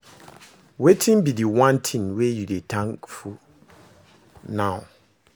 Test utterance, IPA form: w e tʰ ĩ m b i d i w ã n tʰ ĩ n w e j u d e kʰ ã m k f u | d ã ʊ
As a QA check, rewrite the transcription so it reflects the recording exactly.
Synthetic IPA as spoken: w e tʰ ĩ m b i d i w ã n tʰ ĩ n w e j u d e tʰ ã ŋ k f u | n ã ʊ

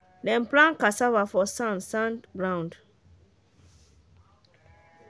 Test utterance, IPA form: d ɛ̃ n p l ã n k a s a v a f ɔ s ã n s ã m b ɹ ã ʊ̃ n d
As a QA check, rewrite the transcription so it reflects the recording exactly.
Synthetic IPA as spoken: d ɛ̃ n p l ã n k a s a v a f ɔ s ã n s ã n b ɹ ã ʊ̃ n d

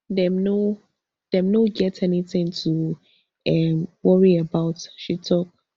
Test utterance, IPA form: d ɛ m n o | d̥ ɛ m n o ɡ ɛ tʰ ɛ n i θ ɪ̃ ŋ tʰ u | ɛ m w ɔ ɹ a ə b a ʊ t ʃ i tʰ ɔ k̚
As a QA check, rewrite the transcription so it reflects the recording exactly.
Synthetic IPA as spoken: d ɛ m n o | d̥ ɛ m n o ɡ ɛ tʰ ɛ n i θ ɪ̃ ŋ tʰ u | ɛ m w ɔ ɹ i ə b a ʊ t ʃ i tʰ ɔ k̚

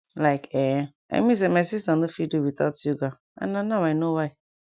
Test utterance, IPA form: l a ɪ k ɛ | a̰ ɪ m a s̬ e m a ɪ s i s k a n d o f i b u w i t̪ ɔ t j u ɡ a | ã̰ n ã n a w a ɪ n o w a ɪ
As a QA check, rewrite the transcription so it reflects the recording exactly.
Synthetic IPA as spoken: l a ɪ k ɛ | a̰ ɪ m i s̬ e m a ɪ s i s t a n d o f i d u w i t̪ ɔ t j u ɡ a | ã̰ n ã n a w a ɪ n o w a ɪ

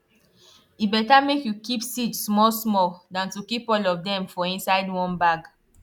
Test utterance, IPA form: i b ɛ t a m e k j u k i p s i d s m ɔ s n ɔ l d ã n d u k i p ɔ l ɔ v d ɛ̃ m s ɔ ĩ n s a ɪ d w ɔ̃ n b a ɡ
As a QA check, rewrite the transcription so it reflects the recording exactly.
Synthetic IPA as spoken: i b ɛ t a m e k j u k i p s i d s m ɔ s m ɔ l d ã n t u k i p ɔ l ɔ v d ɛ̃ m f ɔ ĩ n s a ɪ d w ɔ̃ n b a ɡ

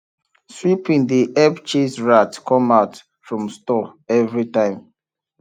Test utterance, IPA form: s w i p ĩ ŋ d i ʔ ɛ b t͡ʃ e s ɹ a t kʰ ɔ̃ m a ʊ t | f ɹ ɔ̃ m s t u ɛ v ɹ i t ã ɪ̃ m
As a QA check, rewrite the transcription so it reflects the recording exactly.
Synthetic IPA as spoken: s w i p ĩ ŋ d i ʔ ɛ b t͡ʃ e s ɹ a t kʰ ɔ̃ m a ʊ t | f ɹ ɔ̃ m s t ɔ ɛ v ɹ i t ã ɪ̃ m

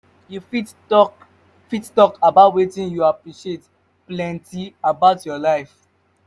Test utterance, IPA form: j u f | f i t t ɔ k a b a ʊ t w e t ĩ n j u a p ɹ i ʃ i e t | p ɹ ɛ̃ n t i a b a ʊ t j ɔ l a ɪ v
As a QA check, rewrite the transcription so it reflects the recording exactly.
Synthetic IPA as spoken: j u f | f i t t ɔ k a b a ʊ t w e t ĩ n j u a p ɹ i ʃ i e t | p l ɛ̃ n t i a b a ʊ t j ɔ l a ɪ f

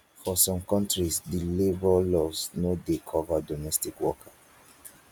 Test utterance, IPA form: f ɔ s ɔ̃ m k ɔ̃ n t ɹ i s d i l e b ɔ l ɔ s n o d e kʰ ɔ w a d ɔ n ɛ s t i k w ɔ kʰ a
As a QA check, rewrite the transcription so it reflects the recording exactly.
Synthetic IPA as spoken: f ɔ s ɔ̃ m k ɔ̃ n t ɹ i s d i l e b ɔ l ɔ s n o d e kʰ ɔ v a d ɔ m ɛ s t i k w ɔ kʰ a

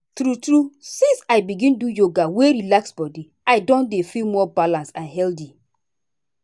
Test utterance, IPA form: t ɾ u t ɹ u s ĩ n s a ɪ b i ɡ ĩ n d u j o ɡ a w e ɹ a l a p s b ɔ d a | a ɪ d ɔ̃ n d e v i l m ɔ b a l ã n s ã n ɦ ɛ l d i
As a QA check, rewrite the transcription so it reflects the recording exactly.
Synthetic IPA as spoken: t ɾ u t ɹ u s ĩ n s a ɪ b i ɡ ĩ n d u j o ɡ a w e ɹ i l a k s b ɔ d i | a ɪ d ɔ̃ n d e f i l m ɔ b a l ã n s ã n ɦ ɛ l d i

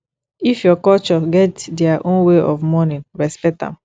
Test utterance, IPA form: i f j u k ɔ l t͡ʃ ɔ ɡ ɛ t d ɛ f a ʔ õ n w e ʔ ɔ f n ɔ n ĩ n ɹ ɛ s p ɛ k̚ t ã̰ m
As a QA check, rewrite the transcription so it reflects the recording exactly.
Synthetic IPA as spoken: i f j ɔ k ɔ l t͡ʃ ɔ ɡ ɛ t d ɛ a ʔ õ n w e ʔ ɔ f m ɔ n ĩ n ɹ ɛ s p ɛ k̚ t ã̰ m

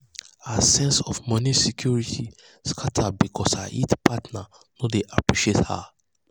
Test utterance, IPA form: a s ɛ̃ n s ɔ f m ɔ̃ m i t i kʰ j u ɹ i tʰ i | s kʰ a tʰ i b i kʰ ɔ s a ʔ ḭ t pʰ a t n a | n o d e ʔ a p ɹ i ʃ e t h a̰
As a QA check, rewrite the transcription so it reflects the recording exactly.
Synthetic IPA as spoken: a s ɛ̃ n s ɔ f m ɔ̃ n i s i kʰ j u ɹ i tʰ i | s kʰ a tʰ a b i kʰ ɔ s a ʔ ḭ t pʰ a t n a | n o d e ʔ a p ɹ i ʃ e t h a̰

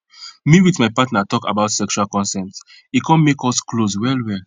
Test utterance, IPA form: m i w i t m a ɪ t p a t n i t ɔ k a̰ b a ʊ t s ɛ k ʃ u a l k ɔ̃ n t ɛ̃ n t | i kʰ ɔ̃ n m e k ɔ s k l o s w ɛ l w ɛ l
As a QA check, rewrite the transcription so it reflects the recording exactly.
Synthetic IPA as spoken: m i w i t m a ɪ p a t n a t ɔ k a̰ b a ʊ t s ɛ k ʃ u a l k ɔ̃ n s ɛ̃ n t | i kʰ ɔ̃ n m e k ɔ s k l o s w ɛ l w ɛ l

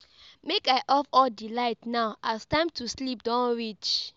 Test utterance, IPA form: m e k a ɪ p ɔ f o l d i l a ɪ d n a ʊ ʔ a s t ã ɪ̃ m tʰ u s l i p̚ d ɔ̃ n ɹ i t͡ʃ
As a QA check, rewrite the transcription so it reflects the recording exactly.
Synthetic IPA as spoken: m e k a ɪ ʔ ɔ f ɔ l d i l a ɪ t n a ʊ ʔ a s t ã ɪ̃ m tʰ u s l i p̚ d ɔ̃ n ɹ i t͡ʃ

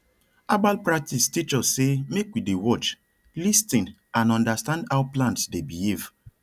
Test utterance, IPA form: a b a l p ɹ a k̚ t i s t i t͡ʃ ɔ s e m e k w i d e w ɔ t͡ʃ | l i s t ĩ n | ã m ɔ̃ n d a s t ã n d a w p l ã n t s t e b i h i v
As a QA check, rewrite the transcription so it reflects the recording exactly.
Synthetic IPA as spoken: a b a l p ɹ a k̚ t i s t i t͡ʃ ɔ s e m e k w i d e w ɔ t͡ʃ | l i s t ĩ n | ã n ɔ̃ n d a s t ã n d a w p l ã n t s d e b i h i v

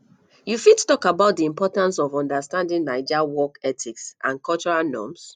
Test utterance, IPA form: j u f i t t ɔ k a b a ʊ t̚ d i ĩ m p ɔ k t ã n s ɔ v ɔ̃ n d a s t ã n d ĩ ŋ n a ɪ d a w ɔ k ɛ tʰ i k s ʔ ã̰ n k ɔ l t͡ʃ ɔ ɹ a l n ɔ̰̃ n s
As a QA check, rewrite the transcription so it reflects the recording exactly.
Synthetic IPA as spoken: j u f i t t ɔ k a b a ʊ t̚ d i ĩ m p ɔ t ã n s ɔ v ɔ̃ n d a s t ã n d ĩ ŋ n a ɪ d͡ʒ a w ɔ k ɛ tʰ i k s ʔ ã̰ n k ɔ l t͡ʃ ɔ ɹ a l n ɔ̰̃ m s

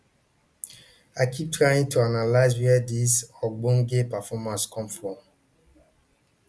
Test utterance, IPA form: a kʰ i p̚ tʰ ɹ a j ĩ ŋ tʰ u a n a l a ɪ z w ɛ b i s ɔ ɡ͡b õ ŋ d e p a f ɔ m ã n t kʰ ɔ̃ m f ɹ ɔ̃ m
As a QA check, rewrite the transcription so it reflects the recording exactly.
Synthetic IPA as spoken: a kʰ i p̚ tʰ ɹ a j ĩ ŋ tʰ u a n a l a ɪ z w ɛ d i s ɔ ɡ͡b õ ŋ ɡ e p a f ɔ m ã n s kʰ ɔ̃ m f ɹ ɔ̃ m

